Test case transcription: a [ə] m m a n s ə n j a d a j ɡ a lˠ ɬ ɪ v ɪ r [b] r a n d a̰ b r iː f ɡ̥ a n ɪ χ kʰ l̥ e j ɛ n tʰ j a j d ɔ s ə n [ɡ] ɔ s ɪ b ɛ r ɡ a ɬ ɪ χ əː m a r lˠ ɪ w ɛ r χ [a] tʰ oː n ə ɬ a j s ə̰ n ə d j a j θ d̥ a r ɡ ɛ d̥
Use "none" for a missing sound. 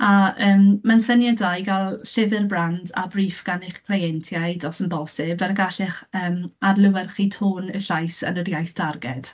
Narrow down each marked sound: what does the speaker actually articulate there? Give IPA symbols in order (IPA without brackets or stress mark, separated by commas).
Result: əː, b, b, i